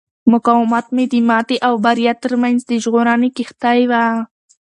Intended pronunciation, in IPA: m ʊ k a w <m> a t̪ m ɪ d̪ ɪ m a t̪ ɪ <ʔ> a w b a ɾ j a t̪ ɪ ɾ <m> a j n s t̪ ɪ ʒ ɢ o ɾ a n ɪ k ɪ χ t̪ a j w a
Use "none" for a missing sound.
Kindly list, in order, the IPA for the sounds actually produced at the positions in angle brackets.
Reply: m, ʔ, m

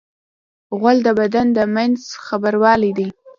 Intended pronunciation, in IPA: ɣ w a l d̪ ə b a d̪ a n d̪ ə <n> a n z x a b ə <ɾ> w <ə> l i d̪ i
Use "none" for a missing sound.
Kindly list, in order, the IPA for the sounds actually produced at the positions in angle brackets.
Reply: m, ɾ, ɑ

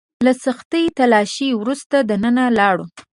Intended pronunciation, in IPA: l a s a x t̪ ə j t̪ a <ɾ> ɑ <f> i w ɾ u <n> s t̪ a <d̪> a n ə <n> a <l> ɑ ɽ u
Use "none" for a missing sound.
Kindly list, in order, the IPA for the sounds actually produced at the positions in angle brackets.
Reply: l, ʃ, none, d̪, n, l

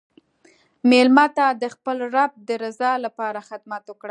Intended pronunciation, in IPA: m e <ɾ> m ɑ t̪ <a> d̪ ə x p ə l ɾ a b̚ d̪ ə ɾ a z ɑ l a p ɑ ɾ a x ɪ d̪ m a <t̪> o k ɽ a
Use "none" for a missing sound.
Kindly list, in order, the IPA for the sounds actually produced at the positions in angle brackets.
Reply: l, a, t̪

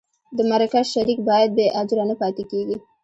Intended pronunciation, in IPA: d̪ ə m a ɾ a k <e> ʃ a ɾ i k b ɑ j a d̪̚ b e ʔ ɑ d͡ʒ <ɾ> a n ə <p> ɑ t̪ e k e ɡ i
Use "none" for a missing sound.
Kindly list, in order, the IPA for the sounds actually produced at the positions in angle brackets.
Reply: a, ɾ, p

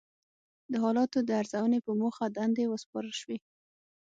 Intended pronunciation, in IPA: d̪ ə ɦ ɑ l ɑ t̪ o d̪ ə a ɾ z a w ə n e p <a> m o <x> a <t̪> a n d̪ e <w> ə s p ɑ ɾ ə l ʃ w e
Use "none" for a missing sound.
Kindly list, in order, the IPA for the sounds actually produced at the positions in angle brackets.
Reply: ə, x, d̪, w

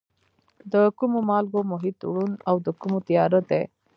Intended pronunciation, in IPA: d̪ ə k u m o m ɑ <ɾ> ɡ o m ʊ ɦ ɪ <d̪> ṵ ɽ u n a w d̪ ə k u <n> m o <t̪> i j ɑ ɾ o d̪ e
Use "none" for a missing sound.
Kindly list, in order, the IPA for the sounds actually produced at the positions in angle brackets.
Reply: l, t̪, none, t̪

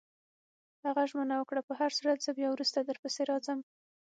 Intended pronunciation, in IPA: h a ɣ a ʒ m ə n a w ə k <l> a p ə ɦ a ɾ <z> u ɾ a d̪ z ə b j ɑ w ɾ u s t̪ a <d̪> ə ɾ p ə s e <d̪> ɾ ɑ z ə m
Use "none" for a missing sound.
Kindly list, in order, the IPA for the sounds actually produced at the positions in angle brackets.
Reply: ɽ, s, d̪, none

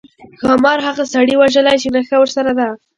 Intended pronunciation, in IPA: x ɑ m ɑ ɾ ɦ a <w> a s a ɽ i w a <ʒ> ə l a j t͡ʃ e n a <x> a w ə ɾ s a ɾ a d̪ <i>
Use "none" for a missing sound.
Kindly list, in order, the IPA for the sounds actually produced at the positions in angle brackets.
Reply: ɣ, ʒ, x, a

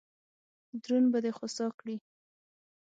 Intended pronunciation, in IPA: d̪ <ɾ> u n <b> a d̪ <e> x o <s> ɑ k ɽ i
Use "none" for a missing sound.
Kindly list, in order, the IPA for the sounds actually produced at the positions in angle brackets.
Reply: ɾ, b, e, s

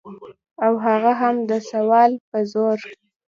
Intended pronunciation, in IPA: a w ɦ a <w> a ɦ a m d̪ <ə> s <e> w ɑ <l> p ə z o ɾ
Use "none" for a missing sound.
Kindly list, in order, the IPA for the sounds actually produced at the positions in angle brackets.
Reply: ɣ, ə, a, l

